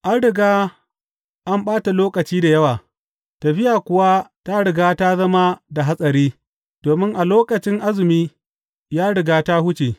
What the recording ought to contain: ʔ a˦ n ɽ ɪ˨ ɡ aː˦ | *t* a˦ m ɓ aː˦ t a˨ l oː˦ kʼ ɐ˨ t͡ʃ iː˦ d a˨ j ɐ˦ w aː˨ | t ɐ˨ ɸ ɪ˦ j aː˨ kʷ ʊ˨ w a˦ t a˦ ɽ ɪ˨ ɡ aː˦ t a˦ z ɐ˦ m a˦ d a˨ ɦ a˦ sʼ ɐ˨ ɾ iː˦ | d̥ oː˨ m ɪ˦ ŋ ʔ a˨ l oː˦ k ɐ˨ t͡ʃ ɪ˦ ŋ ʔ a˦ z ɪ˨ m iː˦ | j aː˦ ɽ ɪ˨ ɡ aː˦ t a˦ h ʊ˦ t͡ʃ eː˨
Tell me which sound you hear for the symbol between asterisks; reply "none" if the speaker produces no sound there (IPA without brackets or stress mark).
ʔ